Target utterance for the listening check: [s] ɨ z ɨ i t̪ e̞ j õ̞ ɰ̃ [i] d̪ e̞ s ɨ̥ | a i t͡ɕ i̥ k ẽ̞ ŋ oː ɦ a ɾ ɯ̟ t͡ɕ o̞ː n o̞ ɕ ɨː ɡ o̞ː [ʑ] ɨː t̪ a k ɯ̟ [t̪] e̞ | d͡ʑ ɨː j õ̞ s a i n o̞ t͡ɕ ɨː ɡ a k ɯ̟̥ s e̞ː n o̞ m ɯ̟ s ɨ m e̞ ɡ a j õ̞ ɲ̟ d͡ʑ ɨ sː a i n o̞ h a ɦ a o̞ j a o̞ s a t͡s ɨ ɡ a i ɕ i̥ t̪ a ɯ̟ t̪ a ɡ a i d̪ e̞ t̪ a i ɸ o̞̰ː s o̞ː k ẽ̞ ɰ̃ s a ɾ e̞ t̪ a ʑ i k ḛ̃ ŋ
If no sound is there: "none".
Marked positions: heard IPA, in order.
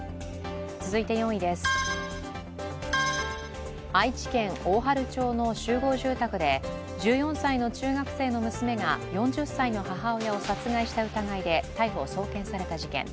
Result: t͡s, i, ʑ, d̪

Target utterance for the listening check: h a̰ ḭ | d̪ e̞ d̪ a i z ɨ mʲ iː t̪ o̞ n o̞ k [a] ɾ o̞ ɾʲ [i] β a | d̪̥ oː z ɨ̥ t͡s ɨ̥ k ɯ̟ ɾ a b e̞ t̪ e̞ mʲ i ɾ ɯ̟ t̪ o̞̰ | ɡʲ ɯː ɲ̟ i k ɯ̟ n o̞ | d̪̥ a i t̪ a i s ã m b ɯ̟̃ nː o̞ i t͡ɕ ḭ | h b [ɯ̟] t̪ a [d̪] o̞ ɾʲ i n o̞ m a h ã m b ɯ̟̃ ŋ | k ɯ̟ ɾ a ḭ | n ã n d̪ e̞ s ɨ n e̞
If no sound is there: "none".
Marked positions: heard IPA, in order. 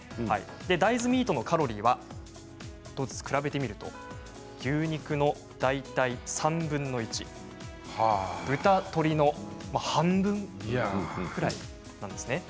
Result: a, iː, ɯ̟, t̪

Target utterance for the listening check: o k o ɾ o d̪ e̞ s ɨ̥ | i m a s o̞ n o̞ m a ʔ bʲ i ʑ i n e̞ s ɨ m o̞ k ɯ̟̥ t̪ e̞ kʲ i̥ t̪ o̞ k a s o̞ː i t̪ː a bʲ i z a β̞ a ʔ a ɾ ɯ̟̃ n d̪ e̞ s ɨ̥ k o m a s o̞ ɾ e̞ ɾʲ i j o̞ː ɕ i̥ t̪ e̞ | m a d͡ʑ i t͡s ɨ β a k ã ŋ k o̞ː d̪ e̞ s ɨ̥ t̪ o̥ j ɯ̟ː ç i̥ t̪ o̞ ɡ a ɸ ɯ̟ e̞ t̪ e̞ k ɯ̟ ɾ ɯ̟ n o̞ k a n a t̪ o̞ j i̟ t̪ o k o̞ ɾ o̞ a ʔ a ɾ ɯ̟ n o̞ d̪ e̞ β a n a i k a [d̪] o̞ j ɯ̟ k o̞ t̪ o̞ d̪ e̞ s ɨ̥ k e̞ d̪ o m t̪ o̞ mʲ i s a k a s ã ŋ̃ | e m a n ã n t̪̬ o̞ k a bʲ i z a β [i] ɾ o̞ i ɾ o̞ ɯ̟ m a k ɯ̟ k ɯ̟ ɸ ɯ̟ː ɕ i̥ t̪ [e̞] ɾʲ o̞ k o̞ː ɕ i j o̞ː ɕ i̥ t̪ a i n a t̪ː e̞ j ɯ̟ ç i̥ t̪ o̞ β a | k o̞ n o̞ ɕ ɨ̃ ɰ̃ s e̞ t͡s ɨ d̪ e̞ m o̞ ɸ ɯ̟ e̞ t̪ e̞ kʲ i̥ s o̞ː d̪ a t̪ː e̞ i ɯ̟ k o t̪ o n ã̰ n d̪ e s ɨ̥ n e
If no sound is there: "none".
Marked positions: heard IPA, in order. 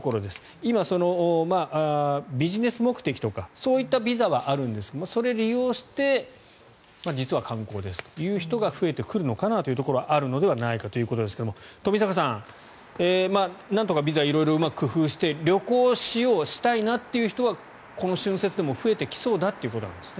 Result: t̪, i, e̞

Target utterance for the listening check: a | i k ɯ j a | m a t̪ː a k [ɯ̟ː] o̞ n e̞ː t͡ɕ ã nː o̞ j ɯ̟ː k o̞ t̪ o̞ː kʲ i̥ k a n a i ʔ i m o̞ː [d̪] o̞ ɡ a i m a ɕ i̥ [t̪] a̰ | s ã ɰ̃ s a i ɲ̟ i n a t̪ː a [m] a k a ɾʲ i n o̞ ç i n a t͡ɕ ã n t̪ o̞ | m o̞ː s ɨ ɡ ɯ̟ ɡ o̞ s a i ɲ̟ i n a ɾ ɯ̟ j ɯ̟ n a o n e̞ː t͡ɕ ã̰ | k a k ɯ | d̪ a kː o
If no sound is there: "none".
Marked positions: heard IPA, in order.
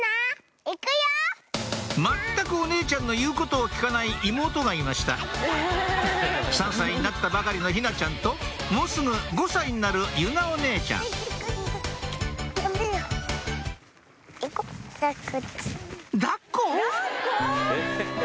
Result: ɯ̟, t̪, t̪, b

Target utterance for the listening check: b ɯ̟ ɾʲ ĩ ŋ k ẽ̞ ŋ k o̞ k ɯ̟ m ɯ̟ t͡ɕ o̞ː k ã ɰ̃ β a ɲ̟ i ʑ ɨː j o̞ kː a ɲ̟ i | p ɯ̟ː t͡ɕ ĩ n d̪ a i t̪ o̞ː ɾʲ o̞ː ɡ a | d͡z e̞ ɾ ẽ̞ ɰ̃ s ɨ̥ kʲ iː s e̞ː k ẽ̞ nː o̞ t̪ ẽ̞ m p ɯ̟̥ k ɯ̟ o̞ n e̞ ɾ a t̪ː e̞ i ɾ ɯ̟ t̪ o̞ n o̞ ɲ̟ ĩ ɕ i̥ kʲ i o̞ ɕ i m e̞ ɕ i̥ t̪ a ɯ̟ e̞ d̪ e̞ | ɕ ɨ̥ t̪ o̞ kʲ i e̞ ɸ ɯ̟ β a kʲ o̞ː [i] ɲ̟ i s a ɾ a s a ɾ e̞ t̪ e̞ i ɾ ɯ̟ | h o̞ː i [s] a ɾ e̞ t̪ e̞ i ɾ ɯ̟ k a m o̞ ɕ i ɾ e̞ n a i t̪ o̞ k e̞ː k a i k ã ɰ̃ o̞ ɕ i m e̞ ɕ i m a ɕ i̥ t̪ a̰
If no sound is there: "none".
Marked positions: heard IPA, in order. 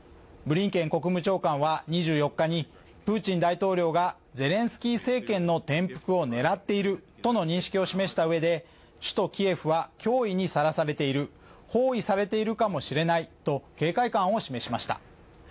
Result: i, s

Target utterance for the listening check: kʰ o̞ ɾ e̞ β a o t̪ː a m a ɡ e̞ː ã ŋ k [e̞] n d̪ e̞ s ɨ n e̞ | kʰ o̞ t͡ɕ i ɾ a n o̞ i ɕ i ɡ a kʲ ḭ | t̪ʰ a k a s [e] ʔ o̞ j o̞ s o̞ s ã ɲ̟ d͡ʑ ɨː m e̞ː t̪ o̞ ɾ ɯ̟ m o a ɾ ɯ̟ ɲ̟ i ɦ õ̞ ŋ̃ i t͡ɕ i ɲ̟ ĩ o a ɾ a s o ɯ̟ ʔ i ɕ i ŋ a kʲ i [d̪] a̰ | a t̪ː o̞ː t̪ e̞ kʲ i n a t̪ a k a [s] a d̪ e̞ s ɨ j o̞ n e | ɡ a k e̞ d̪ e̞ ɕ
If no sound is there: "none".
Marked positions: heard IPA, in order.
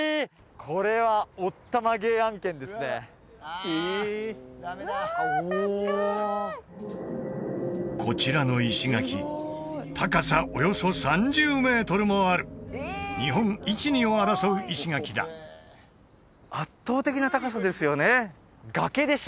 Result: ẽ̞, a, d̪, s

